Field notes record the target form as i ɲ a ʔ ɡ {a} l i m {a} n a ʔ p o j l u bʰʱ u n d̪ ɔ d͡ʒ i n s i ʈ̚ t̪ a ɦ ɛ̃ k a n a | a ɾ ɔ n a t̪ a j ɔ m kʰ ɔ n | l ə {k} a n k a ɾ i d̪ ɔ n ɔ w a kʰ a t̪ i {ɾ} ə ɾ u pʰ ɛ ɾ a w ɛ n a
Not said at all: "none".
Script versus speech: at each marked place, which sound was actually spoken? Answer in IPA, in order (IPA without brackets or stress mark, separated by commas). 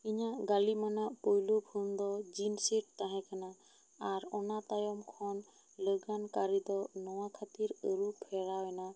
a, a, ɡ, ɾ